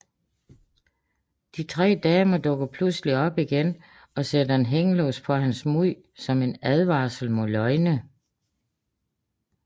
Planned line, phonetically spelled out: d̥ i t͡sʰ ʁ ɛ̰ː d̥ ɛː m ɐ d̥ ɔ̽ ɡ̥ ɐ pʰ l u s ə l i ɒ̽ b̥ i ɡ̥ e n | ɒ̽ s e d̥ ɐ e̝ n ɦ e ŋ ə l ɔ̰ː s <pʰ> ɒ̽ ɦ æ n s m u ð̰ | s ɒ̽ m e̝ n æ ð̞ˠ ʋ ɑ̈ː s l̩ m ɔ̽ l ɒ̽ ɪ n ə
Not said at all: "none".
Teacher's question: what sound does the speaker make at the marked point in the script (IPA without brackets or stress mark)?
pʰ